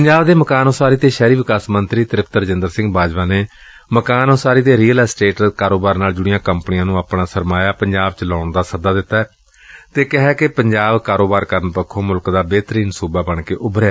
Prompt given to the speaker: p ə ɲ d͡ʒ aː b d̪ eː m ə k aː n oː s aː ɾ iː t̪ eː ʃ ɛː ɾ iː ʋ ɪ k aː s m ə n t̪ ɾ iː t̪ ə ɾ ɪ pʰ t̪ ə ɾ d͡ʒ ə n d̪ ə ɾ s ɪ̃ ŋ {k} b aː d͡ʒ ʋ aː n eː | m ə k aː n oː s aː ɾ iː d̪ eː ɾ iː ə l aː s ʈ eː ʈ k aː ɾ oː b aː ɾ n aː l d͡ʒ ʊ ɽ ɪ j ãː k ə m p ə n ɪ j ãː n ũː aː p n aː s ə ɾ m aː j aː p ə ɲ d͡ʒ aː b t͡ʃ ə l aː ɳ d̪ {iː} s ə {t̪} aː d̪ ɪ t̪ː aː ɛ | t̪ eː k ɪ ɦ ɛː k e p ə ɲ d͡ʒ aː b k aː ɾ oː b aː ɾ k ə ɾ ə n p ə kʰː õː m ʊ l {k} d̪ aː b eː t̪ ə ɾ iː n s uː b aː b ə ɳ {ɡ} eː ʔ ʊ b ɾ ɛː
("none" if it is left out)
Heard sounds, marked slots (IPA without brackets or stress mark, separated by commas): ɡ, aː, d̪, k, k